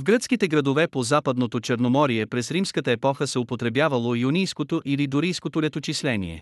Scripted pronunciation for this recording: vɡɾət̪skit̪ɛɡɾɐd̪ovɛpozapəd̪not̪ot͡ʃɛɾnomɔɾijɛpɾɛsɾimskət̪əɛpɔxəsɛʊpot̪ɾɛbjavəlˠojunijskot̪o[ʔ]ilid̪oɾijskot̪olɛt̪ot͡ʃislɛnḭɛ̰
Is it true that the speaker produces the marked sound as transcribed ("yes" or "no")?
yes